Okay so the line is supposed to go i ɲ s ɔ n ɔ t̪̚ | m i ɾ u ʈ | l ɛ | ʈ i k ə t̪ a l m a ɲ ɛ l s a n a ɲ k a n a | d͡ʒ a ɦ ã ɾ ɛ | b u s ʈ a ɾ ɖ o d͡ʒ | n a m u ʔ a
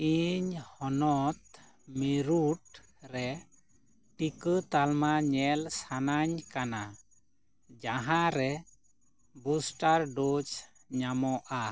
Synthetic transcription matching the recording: i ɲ h ɔ n ɔ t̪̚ | m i ɾ u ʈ | ɾ ɛ | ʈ i k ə t̪ a l m a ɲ ɛ l s a n a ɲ k a n a | d͡ʒ a ɦ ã ɾ ɛ | b u s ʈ a ɾ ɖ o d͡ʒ | ɲ a m ɔ ʔ a